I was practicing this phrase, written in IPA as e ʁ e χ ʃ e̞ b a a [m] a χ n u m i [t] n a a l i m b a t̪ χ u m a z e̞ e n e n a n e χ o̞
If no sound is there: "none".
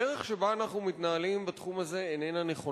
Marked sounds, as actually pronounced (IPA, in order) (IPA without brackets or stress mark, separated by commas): n, t